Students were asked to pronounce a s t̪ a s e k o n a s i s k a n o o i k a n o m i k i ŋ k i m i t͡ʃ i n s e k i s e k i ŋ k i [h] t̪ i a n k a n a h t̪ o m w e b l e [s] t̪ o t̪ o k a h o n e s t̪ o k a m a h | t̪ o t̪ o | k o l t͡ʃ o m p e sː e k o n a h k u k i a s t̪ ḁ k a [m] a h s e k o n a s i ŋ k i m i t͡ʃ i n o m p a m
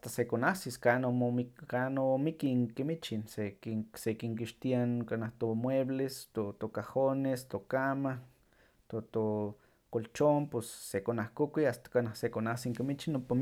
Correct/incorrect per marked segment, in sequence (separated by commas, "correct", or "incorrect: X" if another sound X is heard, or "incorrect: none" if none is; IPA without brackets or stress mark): incorrect: ʃ, correct, incorrect: n